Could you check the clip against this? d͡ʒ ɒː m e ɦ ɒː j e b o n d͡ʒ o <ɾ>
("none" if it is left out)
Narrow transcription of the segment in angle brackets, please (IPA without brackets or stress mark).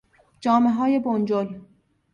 l